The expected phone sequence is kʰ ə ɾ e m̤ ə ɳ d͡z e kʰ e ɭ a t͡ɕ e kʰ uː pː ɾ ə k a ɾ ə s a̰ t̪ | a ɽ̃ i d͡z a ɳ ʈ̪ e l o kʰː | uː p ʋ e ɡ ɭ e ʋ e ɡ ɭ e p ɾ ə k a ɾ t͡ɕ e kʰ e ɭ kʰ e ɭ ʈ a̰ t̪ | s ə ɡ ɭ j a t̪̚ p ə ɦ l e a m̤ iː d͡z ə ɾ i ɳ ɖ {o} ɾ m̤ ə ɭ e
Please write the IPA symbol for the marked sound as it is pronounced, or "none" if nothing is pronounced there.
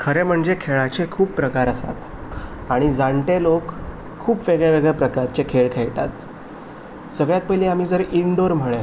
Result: o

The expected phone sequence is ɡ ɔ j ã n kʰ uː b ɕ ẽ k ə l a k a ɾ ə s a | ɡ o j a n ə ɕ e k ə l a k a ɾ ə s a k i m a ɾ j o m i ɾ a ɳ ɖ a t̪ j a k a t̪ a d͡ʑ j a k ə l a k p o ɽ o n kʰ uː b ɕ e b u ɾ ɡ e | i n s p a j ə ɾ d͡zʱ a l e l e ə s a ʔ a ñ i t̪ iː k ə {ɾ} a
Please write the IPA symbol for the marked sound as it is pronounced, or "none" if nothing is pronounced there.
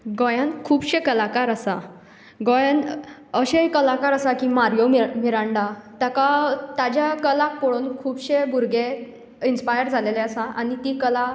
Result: l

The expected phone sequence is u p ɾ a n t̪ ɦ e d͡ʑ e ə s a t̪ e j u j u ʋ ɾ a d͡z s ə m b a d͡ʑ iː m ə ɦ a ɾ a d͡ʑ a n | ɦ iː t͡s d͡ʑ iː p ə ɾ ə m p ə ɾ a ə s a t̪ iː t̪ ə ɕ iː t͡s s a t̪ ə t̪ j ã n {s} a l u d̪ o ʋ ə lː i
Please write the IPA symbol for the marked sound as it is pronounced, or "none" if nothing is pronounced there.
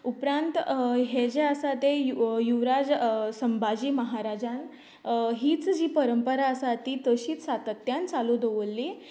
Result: t͡s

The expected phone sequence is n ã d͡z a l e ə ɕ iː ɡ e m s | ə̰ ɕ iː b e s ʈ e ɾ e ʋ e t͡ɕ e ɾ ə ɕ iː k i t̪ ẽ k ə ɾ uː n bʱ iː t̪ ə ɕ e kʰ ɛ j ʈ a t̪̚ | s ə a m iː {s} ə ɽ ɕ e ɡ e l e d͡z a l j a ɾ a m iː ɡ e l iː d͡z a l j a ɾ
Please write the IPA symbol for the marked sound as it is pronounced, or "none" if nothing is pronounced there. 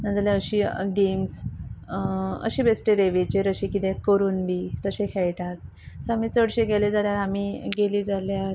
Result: t͡s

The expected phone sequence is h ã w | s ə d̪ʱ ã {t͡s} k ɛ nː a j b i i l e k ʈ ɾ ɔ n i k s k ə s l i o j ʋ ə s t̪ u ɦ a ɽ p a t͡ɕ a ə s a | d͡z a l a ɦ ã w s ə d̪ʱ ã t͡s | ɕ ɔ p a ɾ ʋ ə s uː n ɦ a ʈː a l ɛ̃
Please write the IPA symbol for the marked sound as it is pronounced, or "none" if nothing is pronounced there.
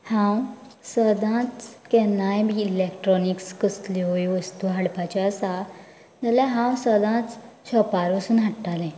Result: t͡s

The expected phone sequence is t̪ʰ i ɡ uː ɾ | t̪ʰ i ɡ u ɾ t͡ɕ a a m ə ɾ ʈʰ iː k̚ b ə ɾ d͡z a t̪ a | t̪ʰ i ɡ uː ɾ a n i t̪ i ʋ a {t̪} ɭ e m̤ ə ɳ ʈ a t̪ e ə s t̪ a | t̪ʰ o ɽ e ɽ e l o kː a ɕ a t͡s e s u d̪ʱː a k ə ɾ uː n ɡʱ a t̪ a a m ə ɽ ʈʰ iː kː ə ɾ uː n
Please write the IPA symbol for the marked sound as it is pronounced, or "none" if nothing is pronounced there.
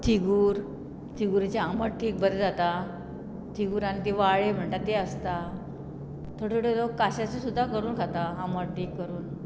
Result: none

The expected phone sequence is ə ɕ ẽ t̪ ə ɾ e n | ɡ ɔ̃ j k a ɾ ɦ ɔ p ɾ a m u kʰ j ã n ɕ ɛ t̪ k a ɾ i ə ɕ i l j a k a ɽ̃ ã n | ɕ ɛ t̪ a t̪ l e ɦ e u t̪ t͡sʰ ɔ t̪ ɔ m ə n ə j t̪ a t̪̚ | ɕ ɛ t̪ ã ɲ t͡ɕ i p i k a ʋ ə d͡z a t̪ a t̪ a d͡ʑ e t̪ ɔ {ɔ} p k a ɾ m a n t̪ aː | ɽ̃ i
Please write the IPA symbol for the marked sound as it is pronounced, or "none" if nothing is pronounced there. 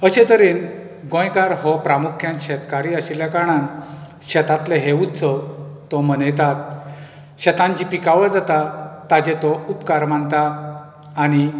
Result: u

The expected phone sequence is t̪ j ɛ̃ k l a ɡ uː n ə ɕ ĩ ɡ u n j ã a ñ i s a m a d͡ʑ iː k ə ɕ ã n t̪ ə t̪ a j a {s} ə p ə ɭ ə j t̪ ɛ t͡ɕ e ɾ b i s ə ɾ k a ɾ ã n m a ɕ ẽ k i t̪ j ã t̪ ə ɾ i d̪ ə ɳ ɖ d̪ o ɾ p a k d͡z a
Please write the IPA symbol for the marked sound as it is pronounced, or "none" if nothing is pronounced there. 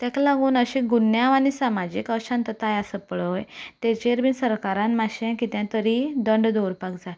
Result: s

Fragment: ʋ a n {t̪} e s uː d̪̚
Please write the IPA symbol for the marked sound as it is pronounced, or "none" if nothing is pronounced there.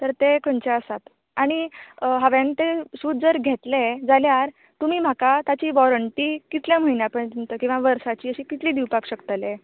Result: t̪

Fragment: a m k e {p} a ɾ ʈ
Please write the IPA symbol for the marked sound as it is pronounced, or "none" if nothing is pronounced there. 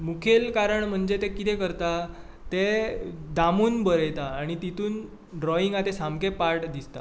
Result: p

